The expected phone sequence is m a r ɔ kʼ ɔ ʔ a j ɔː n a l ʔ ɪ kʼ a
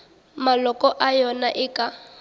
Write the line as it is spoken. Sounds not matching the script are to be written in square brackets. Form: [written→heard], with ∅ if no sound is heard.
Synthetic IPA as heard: m a [r→l] ɔ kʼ ɔ ʔ a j [ɔː→ɔ] n a [l→∅] ʔ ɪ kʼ a